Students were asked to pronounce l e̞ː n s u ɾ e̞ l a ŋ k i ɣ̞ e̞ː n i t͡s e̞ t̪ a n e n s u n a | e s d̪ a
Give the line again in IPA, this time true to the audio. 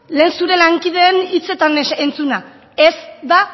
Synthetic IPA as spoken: l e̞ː n s u ɾ e̞ l a ŋ k i ð̞ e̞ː n i t͡s e̞ t̪ a n e n t͡s u n a | e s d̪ a